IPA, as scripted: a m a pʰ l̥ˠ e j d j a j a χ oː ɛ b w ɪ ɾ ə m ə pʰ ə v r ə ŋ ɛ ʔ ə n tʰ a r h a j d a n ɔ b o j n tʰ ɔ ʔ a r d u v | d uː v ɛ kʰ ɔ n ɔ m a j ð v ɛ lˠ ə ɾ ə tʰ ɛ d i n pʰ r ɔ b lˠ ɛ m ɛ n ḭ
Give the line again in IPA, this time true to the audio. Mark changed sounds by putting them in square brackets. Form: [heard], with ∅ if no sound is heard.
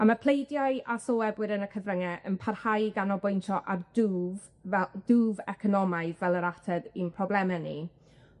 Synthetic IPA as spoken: a m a pʰ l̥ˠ e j d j a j a [s] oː ɛ b w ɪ ɾ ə [n] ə [kʰ] ə v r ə ŋ ɛ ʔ ə n [pʰ] a r h a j [ɡ] a n ɔ b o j n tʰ ɔ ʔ a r d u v | d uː v ɛ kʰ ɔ n ɔ m a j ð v ɛ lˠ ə ɾ [a] tʰ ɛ d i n pʰ r ɔ b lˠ ɛ m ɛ n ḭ

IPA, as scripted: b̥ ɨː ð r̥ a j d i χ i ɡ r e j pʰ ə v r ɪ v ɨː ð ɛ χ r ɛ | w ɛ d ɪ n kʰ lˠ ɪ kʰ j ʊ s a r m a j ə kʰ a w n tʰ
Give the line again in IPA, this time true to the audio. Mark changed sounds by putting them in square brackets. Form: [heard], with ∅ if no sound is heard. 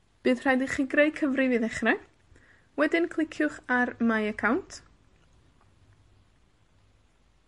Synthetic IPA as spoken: b̥ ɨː ð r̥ a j d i χ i ɡ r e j [kʰ] ə v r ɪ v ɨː ð ɛ χ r ɛ | w ɛ d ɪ n kʰ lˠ ɪ kʰ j ʊ [χ] a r m a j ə kʰ a w n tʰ

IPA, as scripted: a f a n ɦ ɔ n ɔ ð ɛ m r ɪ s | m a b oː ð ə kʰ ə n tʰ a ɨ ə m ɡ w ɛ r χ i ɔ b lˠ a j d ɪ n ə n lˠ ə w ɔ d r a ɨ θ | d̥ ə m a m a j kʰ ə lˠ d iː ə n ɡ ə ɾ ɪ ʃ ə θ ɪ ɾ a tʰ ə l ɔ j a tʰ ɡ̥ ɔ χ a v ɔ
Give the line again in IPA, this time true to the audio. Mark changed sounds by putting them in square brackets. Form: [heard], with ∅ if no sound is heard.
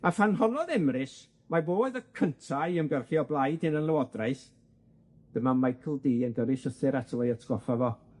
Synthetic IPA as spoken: a f a n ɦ ɔ n ɔ ð ɛ m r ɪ s | m a b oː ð ə kʰ ə n tʰ a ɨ ə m ɡ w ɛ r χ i ɔ b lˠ a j d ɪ n ə n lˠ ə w ɔ d r a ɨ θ | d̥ ə m a m a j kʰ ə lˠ d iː ə n ɡ ə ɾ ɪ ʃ ə θ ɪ ɾ a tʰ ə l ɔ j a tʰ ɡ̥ ɔ [f] a v ɔ

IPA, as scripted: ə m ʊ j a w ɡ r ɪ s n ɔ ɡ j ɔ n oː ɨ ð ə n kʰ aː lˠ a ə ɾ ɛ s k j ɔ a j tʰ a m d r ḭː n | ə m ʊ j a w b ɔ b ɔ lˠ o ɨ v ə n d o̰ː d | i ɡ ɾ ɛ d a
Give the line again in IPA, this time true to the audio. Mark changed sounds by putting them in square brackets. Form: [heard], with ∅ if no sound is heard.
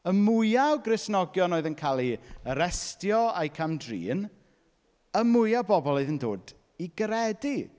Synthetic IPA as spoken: ə m ʊ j a w ɡ r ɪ s n ɔ ɡ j ɔ n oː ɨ ð ə n kʰ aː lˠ [i] ə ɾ ɛ s [t] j ɔ a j [kʰ] a m d r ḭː n | ə m ʊ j a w b ɔ b ɔ lˠ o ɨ [ð] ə n d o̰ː d | i ɡ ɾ ɛ d [i]

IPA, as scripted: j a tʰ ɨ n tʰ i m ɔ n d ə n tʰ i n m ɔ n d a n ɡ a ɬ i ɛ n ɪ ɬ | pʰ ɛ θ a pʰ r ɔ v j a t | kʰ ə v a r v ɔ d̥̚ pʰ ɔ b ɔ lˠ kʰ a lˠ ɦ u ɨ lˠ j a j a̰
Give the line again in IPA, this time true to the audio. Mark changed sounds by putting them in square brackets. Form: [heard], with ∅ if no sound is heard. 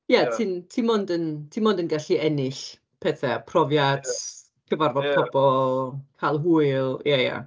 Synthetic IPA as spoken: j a tʰ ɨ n tʰ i m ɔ n d ə n tʰ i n m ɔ n d [ə] n ɡ a ɬ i ɛ n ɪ ɬ | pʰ ɛ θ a pʰ r ɔ v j a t | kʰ ə v a r v ɔ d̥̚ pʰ ɔ b ɔ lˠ kʰ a lˠ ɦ u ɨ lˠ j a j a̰

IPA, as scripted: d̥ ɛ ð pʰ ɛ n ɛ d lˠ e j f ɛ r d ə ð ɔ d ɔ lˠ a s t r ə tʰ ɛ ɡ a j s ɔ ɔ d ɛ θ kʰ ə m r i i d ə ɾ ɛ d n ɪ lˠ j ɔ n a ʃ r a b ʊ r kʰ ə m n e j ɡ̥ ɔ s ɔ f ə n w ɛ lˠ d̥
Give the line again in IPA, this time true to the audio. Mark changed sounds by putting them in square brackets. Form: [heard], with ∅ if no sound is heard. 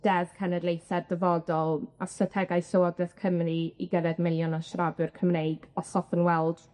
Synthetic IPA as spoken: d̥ ɛ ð [kʰ] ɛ n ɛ d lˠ e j [θ] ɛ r d ə [v] ɔ d ɔ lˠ a s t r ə tʰ ɛ ɡ a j s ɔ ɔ d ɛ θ kʰ ə m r i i [ɡ] ə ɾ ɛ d [m] ɪ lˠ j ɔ n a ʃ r a b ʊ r kʰ ə m n e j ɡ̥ ɔ s ɔ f ə n w ɛ lˠ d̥

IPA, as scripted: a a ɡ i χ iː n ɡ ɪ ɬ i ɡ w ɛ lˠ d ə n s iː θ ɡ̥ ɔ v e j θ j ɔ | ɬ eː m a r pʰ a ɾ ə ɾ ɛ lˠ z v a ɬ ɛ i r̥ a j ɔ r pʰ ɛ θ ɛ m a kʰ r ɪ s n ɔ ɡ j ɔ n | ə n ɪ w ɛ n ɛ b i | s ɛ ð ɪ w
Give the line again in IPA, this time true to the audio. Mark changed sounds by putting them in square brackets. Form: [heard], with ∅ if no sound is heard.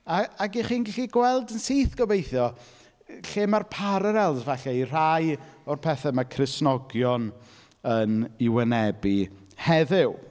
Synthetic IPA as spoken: a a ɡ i χ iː n ɡ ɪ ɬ i ɡ w ɛ lˠ d ə n s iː θ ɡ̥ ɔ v e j θ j ɔ | ɬ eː m a r pʰ a ɾ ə ɾ ɛ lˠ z v a ɬ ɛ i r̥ a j ɔ r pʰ ɛ θ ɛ m a kʰ r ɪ s n ɔ ɡ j ɔ n | ə n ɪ w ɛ n ɛ b i | [h] ɛ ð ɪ w

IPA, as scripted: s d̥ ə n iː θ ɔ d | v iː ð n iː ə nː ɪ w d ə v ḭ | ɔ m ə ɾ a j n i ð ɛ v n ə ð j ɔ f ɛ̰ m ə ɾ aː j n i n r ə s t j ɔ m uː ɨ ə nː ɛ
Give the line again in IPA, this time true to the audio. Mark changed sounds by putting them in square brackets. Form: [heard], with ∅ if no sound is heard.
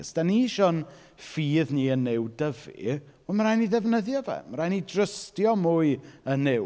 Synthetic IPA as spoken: s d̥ [a] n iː [ʃ] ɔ [n] | [f] iː ð n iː ə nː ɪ w d ə v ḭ | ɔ m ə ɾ a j n i ð ɛ v n ə ð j ɔ [v] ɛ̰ m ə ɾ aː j n i [d] r ə s t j ɔ m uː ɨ ə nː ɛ

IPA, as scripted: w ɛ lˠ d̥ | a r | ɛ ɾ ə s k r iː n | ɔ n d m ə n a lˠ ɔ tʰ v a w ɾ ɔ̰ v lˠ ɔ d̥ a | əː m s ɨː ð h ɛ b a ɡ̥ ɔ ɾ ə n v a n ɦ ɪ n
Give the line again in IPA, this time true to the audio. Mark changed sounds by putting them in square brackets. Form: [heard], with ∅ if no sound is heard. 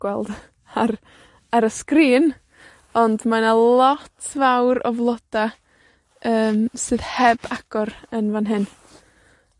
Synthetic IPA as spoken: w ɛ lˠ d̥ | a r | [a] ɾ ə s k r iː n | ɔ n d m [a] n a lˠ ɔ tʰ v a w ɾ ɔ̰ v lˠ ɔ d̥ a | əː m s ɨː ð h ɛ b a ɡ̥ ɔ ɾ ə n v a n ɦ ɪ n

